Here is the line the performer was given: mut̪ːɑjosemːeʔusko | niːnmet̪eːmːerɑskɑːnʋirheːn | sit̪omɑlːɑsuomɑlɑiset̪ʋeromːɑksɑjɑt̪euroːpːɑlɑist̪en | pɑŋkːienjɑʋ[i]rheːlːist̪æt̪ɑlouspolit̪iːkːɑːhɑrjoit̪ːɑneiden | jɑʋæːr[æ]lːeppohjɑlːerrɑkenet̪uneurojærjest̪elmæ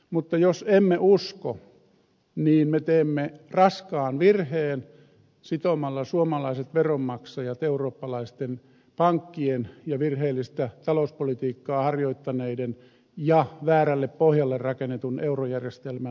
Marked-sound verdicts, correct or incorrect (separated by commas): correct, correct